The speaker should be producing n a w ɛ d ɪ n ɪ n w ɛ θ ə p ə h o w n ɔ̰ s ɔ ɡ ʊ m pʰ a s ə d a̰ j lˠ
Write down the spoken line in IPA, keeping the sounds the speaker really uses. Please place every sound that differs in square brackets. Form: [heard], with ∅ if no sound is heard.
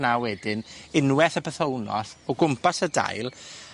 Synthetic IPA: n a w ɛ d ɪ n ɪ n w ɛ θ ə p ə [θ] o w n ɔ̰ [θ] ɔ ɡ ʊ m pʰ a s ə d a̰ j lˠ